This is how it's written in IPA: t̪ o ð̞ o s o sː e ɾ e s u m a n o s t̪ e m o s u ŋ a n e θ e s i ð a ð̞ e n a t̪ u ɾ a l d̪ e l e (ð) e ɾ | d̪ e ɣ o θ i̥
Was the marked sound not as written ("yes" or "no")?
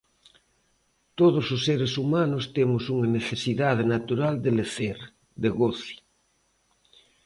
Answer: yes